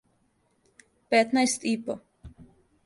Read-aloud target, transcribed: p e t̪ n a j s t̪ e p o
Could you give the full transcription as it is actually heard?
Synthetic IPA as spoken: p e t̪ n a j s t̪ i p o